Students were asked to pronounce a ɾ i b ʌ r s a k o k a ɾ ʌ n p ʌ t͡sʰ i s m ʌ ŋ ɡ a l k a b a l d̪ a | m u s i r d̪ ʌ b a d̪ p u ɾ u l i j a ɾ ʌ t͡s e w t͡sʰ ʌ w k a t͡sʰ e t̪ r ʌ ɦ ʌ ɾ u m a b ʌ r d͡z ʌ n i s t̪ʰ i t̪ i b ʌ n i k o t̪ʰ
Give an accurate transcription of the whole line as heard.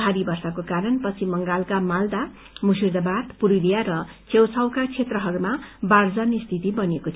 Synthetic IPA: a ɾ i b ʌ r s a k o k a ɾ ʌ n p ʌ t͡sʰ i m ʌ ŋ ɡ a l k a m a l d̪ a | m u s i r d̪ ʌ b a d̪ p u ɾ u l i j a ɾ ʌ t͡s e w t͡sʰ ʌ w k a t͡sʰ e t̪ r ʌ ɦ ʌ ɾ u m a b a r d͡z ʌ n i s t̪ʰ i t̪ i b ʌ n e k o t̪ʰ